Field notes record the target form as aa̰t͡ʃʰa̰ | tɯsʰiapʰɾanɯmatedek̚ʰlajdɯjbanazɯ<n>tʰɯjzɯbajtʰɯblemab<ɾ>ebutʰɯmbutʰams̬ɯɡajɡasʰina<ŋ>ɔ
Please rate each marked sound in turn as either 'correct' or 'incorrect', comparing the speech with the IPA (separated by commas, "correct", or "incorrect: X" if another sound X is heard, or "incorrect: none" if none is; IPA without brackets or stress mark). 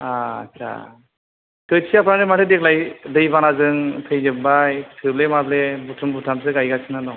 incorrect: ŋ, incorrect: l, incorrect: n